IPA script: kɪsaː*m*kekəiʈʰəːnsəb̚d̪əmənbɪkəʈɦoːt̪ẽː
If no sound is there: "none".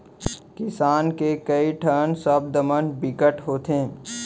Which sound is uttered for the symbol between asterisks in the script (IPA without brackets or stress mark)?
n